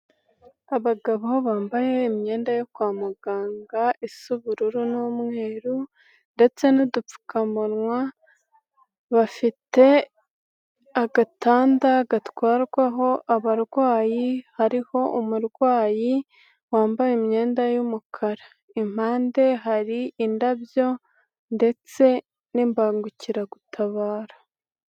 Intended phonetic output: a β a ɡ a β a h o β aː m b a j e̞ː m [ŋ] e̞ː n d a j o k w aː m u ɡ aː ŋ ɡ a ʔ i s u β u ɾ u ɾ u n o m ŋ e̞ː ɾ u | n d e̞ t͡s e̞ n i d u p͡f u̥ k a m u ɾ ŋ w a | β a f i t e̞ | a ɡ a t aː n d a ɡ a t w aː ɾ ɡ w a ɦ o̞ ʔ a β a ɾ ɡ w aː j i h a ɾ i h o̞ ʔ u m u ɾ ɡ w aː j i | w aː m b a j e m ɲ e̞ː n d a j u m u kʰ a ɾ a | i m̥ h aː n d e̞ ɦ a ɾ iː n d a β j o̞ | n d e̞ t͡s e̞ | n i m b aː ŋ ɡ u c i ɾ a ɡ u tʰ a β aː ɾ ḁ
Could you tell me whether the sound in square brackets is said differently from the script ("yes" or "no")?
yes